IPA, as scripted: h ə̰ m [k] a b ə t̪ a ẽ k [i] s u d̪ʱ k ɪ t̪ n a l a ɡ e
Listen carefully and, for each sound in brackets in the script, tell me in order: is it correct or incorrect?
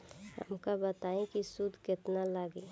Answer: correct, correct

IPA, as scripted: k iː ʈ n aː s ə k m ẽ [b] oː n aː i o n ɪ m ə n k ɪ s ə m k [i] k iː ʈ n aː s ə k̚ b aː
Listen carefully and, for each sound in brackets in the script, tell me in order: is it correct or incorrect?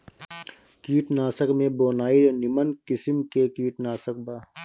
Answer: correct, incorrect

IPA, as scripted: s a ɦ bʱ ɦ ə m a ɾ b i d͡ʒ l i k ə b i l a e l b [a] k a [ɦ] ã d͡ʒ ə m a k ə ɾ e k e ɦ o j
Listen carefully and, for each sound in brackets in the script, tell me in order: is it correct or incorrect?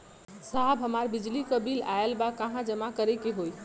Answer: correct, correct

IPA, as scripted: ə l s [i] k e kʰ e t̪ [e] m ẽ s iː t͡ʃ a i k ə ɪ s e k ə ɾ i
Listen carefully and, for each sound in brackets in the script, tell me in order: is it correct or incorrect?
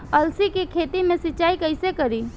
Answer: correct, incorrect

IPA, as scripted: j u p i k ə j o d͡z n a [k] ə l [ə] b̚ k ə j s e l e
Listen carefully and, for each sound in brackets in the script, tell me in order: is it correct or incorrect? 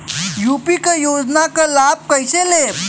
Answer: correct, incorrect

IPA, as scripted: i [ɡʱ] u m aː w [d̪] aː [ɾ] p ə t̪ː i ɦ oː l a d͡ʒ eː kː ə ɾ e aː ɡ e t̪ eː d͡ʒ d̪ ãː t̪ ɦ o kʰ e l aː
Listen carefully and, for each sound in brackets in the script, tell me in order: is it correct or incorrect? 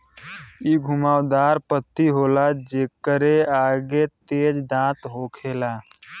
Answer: correct, correct, correct

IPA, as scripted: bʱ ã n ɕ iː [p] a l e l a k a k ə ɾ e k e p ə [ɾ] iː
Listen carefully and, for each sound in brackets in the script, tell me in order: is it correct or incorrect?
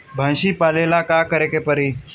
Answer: correct, correct

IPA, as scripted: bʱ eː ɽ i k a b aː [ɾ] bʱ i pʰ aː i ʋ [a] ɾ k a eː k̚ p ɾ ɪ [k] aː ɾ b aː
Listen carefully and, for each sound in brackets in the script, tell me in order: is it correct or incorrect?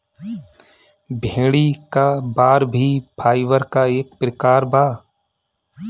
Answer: correct, incorrect, correct

